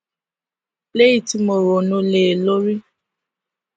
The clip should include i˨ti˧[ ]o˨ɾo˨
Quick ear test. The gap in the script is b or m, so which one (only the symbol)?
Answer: m